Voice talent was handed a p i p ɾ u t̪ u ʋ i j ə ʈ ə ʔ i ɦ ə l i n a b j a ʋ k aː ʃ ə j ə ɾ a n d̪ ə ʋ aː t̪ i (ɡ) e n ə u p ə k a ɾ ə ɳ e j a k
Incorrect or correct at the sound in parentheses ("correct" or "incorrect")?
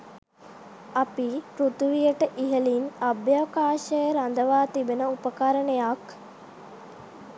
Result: incorrect